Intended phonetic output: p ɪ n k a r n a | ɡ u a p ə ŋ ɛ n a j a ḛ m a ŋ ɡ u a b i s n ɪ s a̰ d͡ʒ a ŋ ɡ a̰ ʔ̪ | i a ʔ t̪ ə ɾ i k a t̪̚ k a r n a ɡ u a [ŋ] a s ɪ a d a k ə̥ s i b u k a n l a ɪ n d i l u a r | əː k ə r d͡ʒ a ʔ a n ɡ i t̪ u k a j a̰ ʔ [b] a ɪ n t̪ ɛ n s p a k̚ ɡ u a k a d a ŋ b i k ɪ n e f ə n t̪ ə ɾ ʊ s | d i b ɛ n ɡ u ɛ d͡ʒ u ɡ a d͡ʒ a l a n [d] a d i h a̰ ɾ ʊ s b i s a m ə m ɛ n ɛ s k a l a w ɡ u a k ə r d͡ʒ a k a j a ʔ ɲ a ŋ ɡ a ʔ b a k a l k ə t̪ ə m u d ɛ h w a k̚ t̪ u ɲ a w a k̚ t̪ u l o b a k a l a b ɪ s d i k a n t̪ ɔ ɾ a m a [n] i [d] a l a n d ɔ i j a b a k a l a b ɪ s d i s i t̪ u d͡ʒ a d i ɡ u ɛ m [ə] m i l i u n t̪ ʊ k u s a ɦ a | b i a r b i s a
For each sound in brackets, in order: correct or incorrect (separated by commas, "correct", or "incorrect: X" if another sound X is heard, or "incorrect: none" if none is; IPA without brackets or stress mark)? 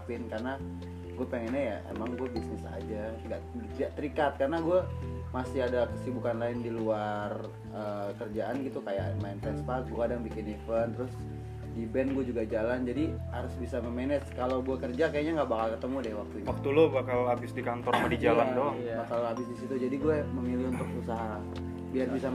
incorrect: m, incorrect: m, incorrect: d͡ʒ, incorrect: d, incorrect: d͡ʒ, correct